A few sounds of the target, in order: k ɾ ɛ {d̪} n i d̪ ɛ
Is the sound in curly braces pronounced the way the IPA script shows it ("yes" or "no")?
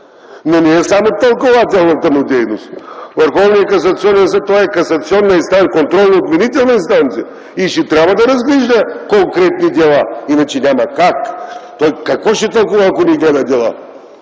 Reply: no